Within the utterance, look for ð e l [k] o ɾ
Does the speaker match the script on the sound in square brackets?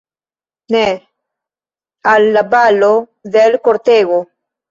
yes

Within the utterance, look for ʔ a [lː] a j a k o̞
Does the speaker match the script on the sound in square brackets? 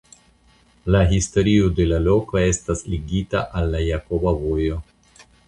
yes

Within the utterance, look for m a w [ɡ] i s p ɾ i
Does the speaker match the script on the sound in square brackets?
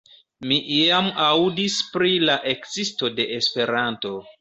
no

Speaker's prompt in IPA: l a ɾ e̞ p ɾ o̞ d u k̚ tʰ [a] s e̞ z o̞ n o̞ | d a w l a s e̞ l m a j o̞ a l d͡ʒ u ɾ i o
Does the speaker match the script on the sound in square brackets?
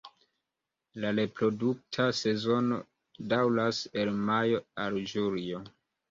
yes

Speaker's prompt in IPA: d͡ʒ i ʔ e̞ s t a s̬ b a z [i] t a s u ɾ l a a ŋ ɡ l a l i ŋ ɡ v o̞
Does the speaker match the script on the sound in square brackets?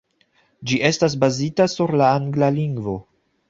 yes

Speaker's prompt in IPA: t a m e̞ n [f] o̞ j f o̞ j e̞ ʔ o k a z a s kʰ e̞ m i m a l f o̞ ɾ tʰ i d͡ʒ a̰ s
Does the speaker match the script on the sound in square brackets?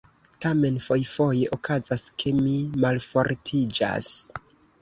yes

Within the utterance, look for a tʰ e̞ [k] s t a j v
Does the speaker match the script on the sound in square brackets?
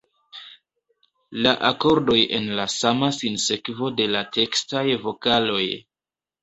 yes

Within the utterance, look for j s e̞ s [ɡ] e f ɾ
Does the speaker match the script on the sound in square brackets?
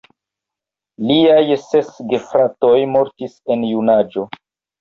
yes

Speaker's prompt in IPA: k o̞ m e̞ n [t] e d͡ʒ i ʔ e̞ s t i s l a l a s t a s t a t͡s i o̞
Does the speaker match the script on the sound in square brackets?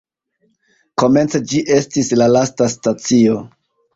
no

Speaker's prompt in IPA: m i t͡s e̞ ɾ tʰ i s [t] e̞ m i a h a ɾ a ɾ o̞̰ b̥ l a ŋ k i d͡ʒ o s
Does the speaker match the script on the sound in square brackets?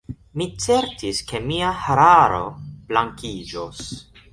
no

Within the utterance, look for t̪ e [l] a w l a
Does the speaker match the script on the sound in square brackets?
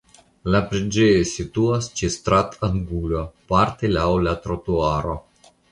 yes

